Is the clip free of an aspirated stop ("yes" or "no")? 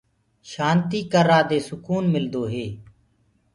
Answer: yes